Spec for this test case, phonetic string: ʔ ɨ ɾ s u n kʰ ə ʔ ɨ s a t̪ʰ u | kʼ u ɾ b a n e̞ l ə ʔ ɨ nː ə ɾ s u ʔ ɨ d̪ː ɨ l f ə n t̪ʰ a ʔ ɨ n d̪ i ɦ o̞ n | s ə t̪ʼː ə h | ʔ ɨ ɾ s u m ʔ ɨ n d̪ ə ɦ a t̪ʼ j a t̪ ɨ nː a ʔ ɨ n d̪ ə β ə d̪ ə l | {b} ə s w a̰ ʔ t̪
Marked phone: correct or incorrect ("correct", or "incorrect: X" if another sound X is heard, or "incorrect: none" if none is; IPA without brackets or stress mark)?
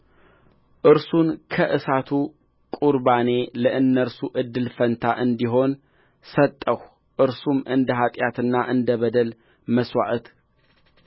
incorrect: m